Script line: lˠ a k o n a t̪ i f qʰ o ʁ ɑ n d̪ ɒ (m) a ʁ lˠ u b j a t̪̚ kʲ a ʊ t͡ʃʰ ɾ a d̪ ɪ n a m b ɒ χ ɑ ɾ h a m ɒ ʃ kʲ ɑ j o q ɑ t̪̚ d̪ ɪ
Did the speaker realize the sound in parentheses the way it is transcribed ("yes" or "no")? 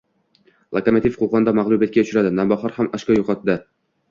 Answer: yes